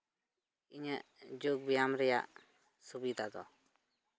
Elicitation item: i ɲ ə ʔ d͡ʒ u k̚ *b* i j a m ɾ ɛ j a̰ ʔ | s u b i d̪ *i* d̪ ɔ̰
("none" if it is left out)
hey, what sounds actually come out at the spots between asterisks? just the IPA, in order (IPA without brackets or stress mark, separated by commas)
b, a